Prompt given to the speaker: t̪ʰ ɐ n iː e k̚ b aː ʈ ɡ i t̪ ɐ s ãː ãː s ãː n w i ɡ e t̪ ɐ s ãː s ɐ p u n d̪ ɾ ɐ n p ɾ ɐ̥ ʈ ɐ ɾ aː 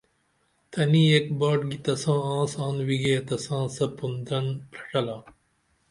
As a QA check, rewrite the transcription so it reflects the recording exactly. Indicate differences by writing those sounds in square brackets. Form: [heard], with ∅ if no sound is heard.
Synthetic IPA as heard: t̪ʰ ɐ n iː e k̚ b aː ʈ ɡ i t̪ ɐ s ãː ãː s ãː n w i ɡ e t̪ ɐ s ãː s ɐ p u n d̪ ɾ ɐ n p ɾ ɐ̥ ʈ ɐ [l] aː